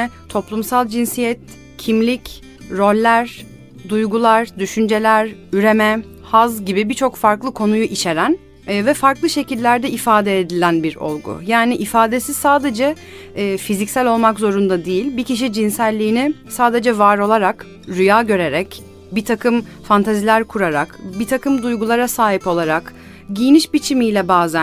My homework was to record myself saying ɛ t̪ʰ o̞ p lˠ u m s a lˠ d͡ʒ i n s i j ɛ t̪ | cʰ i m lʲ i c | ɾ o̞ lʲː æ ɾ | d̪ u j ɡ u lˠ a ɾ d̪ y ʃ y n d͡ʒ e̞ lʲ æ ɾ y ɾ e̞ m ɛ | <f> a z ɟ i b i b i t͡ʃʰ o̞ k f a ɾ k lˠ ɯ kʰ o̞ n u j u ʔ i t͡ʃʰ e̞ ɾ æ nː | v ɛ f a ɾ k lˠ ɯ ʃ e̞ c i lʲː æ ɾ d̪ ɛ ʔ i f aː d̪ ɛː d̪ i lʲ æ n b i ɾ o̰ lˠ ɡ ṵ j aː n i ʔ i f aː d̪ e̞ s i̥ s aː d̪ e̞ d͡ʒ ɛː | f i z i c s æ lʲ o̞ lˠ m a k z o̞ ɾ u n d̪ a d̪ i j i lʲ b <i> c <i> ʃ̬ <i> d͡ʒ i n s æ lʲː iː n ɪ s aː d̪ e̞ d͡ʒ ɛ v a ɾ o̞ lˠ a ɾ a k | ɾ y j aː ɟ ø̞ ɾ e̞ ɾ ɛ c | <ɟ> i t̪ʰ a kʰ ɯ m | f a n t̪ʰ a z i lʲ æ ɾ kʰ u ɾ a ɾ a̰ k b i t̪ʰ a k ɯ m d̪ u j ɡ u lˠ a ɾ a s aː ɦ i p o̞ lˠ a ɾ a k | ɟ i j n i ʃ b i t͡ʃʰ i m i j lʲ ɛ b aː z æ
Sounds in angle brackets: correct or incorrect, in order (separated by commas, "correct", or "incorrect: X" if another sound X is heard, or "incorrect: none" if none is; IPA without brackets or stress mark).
incorrect: h, correct, correct, correct, incorrect: b